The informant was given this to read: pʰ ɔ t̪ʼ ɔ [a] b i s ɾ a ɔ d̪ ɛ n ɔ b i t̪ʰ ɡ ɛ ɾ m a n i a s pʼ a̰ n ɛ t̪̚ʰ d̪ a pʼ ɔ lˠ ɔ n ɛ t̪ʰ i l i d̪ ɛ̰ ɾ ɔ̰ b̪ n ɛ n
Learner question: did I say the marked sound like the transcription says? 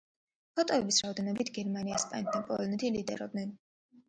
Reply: no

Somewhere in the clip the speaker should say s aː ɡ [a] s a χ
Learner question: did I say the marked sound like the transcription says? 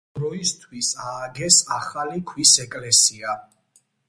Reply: no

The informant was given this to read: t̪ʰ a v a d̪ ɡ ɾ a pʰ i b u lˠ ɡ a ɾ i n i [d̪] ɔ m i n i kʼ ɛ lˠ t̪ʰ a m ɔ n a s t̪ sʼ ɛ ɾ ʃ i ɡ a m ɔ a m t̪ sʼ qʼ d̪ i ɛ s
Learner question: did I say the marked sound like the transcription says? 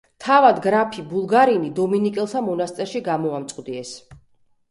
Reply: yes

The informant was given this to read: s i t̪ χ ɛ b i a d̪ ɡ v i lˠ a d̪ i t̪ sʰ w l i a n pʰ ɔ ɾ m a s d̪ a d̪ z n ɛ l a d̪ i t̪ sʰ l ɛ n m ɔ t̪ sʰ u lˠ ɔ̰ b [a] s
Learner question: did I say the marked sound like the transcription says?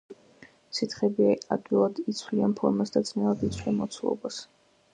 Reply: yes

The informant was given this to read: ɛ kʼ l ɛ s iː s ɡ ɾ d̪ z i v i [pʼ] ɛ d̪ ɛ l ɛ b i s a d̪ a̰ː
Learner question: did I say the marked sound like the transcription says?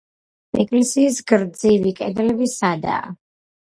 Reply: no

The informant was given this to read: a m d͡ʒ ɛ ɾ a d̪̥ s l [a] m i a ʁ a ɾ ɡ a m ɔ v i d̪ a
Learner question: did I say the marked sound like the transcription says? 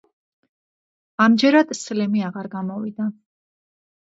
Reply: no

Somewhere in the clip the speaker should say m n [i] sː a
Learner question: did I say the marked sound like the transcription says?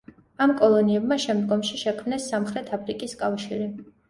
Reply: no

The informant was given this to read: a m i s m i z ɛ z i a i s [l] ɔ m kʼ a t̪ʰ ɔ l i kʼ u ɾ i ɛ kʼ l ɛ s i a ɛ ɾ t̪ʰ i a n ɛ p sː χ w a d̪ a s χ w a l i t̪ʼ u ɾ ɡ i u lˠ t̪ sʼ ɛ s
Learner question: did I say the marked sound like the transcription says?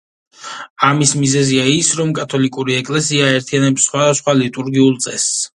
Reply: no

